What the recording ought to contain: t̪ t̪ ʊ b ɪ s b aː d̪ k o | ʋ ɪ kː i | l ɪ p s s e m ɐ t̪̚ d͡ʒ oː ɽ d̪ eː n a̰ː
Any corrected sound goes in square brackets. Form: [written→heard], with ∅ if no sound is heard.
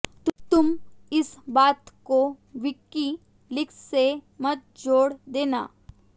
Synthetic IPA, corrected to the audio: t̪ t̪ ʊ [b→m] ɪ s b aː [d̪→t̪] k o | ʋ ɪ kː i | l ɪ [p→k] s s e m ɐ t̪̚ d͡ʒ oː ɽ d̪ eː n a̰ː